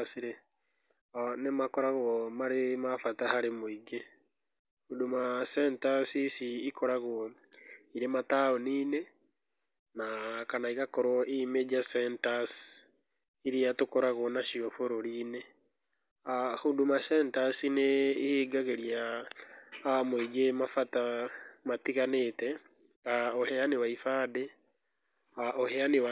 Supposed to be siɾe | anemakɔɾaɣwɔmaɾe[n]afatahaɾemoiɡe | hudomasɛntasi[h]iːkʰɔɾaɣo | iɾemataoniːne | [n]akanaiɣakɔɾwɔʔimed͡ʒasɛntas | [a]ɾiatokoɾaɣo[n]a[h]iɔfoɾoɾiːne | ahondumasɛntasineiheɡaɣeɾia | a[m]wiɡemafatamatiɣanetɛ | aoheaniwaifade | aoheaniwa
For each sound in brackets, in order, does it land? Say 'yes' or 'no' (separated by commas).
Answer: no, no, yes, no, yes, no, yes